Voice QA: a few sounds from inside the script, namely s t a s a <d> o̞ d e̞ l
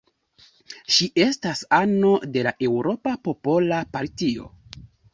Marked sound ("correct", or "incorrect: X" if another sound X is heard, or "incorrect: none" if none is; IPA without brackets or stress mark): incorrect: n